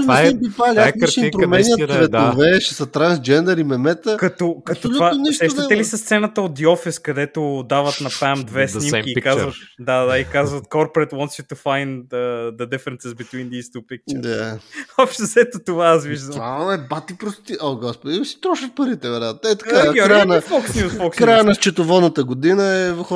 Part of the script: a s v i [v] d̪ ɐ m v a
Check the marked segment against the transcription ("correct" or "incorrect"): incorrect